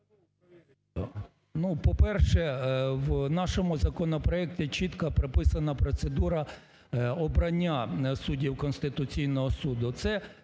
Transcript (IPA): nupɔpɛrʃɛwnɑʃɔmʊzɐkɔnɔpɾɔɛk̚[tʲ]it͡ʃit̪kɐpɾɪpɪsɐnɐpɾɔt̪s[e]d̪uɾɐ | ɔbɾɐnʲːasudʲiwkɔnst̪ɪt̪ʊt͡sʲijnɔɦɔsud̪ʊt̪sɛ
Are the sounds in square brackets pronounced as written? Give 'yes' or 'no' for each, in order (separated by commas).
yes, yes